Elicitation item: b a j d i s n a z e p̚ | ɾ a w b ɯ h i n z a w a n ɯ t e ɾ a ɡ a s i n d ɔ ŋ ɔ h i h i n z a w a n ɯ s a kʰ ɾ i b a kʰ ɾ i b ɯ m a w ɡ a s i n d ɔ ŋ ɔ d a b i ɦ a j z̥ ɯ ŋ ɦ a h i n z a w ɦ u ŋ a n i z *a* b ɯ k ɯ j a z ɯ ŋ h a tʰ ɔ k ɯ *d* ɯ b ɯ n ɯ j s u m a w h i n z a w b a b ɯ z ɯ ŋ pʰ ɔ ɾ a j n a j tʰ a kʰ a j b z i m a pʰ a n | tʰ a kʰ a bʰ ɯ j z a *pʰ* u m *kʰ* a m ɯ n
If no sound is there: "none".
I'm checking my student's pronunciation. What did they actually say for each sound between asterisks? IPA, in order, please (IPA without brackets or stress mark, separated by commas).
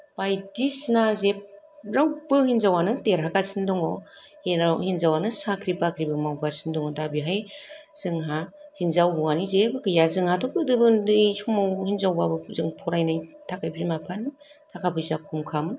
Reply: e, d, kʰ, kʰ